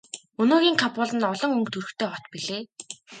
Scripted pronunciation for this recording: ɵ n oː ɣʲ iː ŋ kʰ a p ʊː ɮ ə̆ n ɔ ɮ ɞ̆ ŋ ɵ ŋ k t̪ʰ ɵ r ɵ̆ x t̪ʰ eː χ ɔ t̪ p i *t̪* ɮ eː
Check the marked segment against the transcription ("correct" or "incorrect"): incorrect